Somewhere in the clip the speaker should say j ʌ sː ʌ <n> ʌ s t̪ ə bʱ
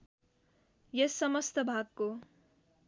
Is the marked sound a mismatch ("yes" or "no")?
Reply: yes